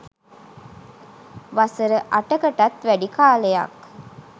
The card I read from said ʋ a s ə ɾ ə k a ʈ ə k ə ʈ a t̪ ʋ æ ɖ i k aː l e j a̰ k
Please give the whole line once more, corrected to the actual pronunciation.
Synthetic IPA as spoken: ʋ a s ə ɾ ə ʔ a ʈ ə k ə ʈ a t̪ ʋ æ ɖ i k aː l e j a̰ k